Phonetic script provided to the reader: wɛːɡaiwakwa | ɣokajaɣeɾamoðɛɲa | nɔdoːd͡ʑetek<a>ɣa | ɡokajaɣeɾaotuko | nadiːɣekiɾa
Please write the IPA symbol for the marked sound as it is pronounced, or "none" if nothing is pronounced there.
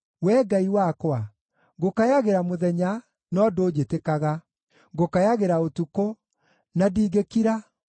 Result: a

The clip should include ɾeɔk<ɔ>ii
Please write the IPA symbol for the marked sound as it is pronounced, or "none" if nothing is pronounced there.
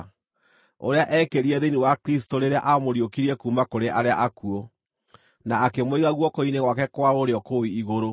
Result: o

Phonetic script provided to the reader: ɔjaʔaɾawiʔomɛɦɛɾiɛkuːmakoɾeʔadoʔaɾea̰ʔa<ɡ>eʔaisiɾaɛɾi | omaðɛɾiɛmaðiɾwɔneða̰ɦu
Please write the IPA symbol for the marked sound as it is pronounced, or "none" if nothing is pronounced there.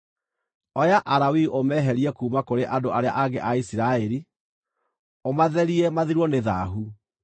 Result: ɡ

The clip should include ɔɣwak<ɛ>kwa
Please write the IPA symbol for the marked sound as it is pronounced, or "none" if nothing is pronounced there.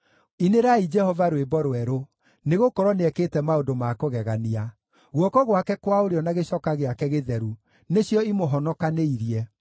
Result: ɛ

